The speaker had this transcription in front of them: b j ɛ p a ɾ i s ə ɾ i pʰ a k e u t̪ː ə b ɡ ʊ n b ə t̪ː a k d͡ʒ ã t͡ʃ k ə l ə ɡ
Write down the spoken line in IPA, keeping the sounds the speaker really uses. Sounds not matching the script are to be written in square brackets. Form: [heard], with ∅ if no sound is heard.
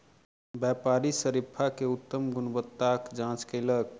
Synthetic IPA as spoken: b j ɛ p a ɾ i s ə ɾ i pʰ a k e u t̪ː ə [m] ɡ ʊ n b ə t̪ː a k d͡ʒ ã t͡ʃ k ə l ə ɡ